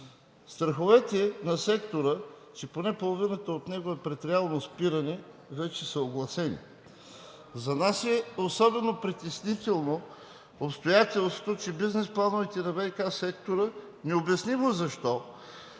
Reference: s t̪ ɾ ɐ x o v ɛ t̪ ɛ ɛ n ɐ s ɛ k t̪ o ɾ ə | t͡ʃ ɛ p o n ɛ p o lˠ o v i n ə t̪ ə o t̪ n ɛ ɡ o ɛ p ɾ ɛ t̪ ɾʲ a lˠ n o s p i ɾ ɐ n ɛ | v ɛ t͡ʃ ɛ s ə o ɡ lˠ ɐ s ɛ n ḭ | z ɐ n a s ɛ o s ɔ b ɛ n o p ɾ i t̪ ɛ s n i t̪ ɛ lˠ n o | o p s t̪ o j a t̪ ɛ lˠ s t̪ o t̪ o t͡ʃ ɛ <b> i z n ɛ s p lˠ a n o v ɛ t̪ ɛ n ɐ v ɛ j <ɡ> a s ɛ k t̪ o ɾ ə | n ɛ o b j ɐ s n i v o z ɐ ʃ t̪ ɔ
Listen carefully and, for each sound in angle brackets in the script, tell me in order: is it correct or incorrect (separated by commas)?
correct, incorrect